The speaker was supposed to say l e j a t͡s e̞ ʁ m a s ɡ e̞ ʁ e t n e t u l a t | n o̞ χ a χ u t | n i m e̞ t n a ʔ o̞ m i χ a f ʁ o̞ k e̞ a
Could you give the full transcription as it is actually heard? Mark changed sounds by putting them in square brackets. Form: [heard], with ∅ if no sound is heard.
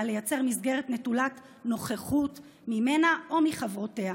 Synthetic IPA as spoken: l e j a t͡s e̞ ʁ m [i] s ɡ e̞ ʁ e t n e t u l a t | n o̞ χ [e] χ u t | [m] i m e̞ [∅] n a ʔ o̞ m i χ a [v] ʁ o̞ [t] e̞ a